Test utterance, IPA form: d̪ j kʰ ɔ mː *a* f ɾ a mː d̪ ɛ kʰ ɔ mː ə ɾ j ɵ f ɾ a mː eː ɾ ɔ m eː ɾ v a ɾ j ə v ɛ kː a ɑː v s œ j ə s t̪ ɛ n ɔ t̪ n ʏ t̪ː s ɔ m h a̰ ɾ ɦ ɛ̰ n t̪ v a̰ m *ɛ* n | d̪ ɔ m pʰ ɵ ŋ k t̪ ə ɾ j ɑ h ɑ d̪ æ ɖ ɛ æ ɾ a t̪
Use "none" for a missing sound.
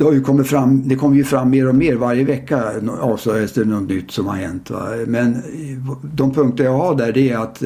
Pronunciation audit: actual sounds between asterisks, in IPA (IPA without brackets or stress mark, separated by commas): ə, ɛ